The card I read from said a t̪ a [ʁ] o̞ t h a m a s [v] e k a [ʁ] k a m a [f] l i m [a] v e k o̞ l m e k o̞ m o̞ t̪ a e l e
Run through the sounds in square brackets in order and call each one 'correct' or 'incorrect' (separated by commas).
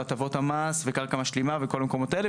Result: incorrect, correct, correct, incorrect, correct